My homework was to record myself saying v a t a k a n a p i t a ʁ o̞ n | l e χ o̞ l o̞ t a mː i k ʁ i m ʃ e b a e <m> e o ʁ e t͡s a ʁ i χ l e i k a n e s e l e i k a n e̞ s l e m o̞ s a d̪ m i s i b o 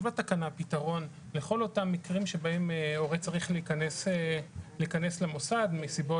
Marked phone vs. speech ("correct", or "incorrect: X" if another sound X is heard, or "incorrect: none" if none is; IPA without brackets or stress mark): correct